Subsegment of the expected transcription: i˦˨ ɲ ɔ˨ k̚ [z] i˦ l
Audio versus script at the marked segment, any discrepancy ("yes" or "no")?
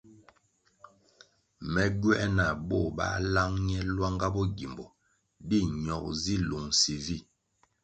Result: no